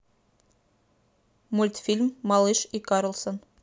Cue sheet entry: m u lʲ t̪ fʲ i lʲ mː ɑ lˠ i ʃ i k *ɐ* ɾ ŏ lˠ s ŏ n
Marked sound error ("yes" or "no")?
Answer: yes